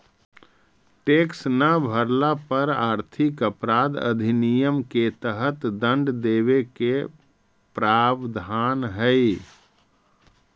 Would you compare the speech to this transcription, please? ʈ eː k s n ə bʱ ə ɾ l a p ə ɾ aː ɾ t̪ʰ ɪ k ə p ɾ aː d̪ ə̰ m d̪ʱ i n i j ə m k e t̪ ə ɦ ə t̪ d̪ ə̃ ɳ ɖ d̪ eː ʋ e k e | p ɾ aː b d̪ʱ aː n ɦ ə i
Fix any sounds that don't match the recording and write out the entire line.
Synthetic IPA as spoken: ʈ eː k s n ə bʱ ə ɾ l a p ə ɾ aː ɾ t̪ʰ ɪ k ə p ɾ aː d̪ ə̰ d̪ʱ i n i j ə m k e t̪ ə ɦ ə t̪ d̪ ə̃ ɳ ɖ d̪ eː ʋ e k e | p ɾ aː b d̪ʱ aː n ɦ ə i